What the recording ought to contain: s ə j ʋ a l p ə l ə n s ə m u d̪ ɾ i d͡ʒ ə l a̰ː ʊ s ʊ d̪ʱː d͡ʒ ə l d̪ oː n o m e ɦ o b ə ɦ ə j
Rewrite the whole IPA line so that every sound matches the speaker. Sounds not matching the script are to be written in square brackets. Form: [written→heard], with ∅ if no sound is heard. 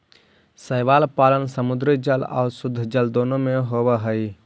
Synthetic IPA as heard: s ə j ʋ a l p [ə→a] l ə n s ə m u d̪ ɾ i d͡ʒ ə l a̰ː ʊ s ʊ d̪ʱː d͡ʒ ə l d̪ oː n o m e ɦ o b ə ɦ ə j